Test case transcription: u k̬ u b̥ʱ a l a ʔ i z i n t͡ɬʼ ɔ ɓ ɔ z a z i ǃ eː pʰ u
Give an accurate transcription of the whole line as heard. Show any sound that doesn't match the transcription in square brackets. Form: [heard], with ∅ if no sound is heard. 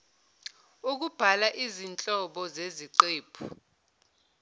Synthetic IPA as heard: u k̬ u b̥ʱ a l a ʔ i z i n t͡ɬʼ ɔ ɓ ɔ z [e] z i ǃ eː pʰ u

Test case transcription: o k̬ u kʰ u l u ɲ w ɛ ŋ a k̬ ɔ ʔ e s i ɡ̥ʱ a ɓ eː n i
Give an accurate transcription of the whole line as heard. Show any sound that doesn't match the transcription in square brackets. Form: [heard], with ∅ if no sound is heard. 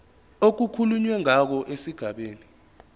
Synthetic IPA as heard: o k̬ u kʰ u l u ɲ w ɛ ŋ a k̬ ɔ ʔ e s i ɡ̥ʱ a ɓ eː n i

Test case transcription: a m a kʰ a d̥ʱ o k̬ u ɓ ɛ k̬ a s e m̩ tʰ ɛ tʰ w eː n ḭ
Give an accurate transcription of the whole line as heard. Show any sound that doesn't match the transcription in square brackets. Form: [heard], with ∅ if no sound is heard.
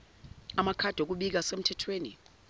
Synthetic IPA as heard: a m a kʰ a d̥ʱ o k̬ u ɓ [i] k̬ a s e m̩ tʰ ɛ tʰ w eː n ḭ

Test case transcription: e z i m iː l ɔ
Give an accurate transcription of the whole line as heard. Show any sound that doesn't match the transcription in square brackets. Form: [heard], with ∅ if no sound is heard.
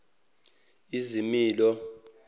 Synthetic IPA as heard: [i] z i m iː l ɔ

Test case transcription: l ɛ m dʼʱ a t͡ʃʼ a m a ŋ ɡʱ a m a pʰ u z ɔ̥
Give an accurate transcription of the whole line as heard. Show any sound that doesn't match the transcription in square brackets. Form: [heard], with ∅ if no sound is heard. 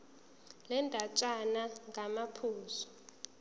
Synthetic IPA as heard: l ɛ [n] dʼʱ a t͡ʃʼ a [n] a ŋ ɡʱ a m a pʰ [uː] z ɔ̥

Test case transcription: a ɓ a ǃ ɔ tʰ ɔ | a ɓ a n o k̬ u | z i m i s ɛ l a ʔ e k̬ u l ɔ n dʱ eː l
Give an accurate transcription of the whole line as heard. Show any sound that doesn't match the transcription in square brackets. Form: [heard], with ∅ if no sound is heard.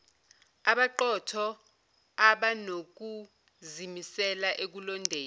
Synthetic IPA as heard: a ɓ a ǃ ɔ tʰ ɔ | a ɓ a n o k̬ u | z i m i s ɛ l a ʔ e k̬ u l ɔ n dʱ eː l

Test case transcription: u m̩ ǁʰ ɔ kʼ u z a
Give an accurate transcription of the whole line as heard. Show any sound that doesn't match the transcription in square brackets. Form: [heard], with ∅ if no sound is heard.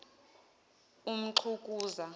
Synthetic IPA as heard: u m̩ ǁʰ [u] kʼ [uː] z a

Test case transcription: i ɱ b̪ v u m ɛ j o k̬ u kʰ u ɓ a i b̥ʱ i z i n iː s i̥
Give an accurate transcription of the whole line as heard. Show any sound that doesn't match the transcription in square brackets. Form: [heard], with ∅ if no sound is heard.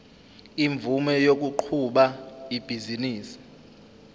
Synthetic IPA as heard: i ɱ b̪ v u m ɛ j o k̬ u [ǃʰ] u ɓ a i b̥ʱ i z i n iː s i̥

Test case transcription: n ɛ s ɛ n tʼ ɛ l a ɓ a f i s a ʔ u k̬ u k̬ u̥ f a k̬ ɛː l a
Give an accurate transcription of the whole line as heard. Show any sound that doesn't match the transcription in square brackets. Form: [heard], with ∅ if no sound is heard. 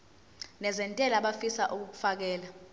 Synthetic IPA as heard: n ɛ [z] ɛ n tʼ ɛ l a ɓ a f i s a ʔ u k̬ u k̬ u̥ f a k̬ ɛː l a

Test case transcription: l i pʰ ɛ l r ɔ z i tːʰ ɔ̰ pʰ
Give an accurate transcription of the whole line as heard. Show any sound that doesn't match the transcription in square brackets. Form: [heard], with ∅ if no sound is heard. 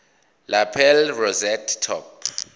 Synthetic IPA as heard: l [a] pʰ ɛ l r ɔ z [ɛ] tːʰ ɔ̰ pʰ

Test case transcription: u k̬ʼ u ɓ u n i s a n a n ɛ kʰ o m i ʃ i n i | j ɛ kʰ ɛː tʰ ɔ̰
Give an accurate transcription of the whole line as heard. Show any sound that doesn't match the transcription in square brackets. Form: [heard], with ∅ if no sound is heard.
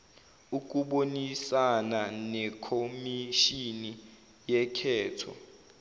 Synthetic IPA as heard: u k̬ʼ u ɓ [o] n i s a n a n ɛ kʰ o m i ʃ i n i | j ɛ kʰ ɛː tʰ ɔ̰

